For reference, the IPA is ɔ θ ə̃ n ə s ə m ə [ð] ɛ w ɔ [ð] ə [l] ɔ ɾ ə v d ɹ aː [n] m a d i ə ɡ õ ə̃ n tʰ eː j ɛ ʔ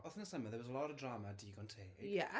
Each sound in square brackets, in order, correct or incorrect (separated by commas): correct, incorrect, correct, incorrect